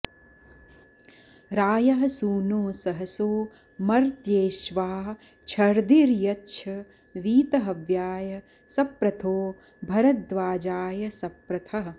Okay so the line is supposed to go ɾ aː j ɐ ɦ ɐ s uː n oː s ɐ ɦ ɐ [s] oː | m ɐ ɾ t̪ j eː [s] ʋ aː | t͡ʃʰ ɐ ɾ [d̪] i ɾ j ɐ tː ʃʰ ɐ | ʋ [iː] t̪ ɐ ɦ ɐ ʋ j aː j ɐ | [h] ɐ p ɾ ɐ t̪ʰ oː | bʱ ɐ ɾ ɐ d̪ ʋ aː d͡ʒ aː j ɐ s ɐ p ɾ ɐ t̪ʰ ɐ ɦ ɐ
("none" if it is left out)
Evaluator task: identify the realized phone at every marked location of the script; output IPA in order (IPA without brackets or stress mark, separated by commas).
s, ʃ, d̪, iː, s